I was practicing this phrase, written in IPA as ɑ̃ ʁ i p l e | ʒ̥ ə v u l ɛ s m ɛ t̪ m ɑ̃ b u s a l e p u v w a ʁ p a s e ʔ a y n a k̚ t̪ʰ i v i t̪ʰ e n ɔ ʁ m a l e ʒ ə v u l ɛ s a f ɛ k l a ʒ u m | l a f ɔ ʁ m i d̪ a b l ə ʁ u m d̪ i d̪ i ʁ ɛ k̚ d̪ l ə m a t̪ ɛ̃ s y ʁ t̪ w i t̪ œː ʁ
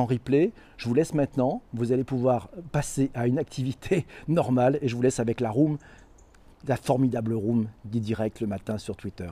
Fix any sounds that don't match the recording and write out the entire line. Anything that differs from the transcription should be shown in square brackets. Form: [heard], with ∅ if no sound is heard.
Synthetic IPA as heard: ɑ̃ ʁ i p l e | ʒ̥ ə v u l ɛ s m [ɛ̃] t̪ [n] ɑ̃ [v] u [z] a l e p u v w a ʁ p a s e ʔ a y n a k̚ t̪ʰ i v i t̪ʰ e n ɔ ʁ m a l e ʒ ə v u l ɛ s a [v] ɛ k l a [ʁ] u m | l a f ɔ ʁ m i d̪ a b l ə ʁ u m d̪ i d̪ i ʁ ɛ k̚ [t̪] l ə m a t̪ ɛ̃ s y ʁ t̪ w i t̪ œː ʁ